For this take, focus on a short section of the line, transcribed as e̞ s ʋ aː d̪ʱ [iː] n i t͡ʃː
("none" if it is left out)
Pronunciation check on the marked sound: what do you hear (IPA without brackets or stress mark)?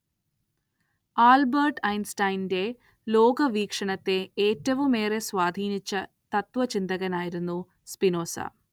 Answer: iː